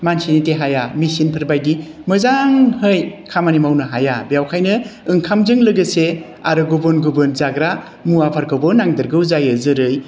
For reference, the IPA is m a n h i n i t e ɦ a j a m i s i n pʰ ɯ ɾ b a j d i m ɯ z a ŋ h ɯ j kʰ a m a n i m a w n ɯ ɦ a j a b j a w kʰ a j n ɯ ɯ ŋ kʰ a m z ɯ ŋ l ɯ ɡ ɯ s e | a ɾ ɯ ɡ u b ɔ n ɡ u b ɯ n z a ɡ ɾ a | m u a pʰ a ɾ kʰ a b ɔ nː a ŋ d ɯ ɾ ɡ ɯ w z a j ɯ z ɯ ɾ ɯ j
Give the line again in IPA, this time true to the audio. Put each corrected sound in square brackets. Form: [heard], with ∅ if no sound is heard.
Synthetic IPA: m a n [s] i n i t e ɦ a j a m i s i n pʰ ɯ ɾ b a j d i m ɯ z a ŋ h ɯ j kʰ a m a n i m a w n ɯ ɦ a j a b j a w kʰ a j n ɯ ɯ ŋ kʰ a m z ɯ ŋ l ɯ ɡ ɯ s e | a ɾ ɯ ɡ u b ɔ n ɡ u b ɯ n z a ɡ ɾ a | m u a pʰ a ɾ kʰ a b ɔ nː a ŋ d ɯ ɾ ɡ ɯ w z a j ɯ z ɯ ɾ ɯ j